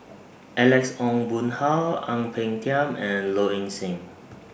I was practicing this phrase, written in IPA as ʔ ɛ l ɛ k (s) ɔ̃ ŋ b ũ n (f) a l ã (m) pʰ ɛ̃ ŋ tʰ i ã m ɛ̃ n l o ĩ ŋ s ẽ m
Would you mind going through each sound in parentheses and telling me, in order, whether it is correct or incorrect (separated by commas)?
correct, incorrect, incorrect